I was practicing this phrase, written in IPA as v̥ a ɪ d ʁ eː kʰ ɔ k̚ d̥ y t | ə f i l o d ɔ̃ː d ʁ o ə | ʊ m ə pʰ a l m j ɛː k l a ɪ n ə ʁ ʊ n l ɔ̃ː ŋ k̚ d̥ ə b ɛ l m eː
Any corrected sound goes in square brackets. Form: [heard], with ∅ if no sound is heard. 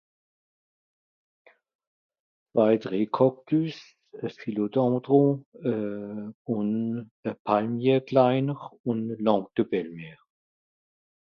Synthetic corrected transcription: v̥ a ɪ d ʁ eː kʰ ɔ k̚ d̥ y [s] | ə f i l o d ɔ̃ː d ʁ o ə | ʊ [n] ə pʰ a l m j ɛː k l a ɪ n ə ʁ ʊ n l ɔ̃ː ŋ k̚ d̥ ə b ɛ l m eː